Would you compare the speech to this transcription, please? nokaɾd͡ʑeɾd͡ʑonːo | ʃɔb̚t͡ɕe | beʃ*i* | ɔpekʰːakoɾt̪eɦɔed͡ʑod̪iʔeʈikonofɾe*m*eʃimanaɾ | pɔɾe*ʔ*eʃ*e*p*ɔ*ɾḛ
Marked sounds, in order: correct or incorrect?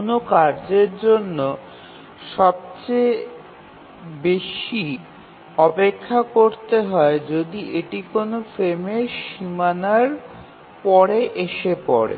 correct, correct, correct, correct, correct

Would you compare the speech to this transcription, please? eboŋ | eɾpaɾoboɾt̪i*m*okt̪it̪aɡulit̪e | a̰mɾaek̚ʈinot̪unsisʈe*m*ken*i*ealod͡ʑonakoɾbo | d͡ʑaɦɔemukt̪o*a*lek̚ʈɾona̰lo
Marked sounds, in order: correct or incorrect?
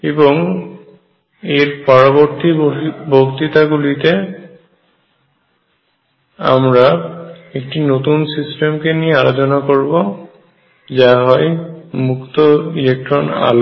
incorrect: b, correct, correct, incorrect: i

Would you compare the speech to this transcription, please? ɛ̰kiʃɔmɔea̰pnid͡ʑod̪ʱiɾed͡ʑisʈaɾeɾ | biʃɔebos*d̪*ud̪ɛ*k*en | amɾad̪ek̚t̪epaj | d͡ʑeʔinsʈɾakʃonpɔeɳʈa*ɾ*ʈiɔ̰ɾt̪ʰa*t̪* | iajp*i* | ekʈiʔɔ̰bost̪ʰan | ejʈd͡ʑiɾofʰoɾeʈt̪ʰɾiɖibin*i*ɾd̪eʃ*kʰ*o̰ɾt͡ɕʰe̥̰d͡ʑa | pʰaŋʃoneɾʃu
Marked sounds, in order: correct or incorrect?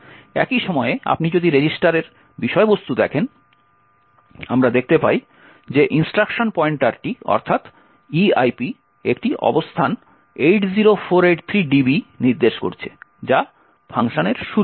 incorrect: t̪, incorrect: kʰ, correct, correct, correct, correct, incorrect: k

